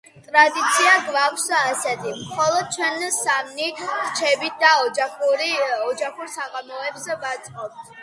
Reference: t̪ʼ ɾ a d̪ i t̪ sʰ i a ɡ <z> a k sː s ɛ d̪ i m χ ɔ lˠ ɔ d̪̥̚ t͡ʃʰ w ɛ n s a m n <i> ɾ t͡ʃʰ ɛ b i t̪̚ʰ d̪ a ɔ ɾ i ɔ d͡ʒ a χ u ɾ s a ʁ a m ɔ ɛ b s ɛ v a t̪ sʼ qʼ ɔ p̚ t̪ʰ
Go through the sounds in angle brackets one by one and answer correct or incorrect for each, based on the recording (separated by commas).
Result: incorrect, correct